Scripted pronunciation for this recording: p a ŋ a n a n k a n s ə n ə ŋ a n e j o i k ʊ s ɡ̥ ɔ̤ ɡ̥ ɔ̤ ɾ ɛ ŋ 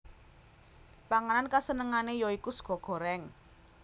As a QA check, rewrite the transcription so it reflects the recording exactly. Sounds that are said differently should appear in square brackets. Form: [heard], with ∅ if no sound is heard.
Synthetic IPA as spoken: p a ŋ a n a n k a [∅] s ə n ə ŋ a n e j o i k [u] s ɡ̥ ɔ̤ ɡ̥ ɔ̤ ɾ ɛ ŋ